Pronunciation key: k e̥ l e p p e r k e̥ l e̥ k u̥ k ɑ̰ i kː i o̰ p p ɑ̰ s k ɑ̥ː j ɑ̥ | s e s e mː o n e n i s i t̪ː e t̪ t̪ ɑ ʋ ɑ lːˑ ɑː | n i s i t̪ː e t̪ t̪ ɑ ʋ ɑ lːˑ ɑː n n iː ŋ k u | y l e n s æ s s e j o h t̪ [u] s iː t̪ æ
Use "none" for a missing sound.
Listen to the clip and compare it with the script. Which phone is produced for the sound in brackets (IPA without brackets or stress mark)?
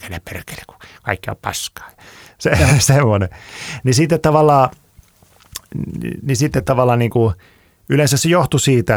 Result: u